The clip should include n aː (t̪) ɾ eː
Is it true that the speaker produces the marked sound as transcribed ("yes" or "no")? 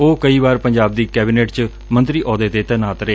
yes